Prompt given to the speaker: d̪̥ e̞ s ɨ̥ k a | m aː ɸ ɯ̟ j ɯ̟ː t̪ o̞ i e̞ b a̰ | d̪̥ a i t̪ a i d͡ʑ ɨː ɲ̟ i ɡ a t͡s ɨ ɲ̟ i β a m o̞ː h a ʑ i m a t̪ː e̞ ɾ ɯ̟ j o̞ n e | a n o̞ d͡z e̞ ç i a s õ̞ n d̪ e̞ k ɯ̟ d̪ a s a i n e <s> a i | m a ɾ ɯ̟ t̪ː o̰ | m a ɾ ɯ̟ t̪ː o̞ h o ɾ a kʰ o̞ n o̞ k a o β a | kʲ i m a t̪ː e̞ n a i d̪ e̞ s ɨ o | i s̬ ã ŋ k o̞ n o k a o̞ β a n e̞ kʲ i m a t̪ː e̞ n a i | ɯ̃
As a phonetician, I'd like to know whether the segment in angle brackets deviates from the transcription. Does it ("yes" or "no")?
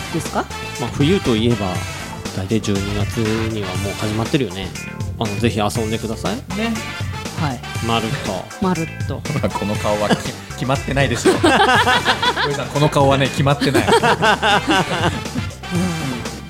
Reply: yes